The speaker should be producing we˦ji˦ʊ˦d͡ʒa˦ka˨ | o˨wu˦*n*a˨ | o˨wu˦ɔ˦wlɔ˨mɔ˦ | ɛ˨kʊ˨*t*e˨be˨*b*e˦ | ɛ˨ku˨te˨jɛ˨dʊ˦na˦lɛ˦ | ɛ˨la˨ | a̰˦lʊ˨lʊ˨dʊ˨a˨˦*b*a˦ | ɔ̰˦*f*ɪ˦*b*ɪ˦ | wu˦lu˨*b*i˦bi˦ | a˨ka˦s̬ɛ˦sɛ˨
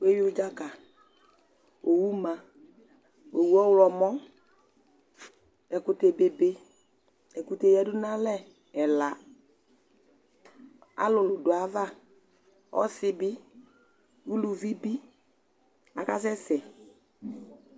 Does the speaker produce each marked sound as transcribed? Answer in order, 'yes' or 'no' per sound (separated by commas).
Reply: no, yes, yes, no, no, yes, no